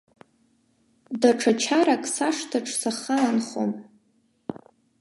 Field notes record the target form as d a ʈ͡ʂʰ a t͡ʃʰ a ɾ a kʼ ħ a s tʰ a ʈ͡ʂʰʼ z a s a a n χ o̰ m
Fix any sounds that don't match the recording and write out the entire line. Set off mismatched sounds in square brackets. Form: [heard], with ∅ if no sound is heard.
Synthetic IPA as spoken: d a ʈ͡ʂʰ a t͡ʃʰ a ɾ a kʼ [s] a [ʂ] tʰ a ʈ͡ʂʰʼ [s] a [χ] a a n χ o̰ m